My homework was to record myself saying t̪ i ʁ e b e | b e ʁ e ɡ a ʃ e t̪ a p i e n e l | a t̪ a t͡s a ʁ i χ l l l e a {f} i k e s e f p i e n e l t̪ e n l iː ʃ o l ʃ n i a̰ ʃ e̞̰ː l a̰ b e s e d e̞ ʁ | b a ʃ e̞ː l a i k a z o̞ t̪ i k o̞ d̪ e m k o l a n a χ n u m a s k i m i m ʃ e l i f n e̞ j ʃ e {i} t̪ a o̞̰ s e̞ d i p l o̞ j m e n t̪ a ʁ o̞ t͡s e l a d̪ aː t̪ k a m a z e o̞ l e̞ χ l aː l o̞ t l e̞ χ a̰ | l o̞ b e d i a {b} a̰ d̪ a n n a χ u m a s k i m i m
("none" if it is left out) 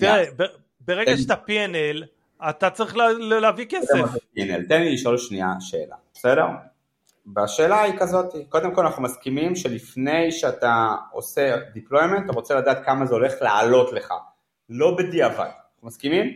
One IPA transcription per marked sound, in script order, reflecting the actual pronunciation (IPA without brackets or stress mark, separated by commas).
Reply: v, a, v